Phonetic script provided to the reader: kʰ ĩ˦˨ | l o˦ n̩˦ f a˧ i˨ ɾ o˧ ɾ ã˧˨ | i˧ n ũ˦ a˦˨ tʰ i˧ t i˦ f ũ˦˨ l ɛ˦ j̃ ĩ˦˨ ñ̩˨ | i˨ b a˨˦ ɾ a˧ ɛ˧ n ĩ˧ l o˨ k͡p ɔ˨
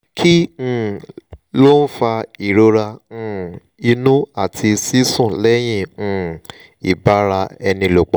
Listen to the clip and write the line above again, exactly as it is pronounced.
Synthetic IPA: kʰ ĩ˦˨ | l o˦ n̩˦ f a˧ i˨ ɾ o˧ ɾ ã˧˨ | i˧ n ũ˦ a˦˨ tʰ i˧ s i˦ s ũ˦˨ l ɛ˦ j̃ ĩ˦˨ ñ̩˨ | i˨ b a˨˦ ɾ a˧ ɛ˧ n ĩ˧ l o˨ k͡p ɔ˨